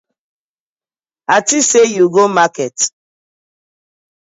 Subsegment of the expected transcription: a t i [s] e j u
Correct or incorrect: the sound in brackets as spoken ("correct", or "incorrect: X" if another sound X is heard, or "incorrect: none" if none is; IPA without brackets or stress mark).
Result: correct